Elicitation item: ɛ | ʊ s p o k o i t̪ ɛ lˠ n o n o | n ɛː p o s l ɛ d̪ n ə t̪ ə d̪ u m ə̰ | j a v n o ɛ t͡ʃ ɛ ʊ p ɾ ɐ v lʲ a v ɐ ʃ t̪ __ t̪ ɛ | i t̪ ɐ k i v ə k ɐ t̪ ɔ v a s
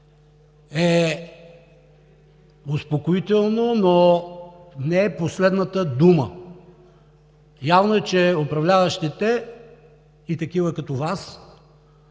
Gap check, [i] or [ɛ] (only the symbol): ɛ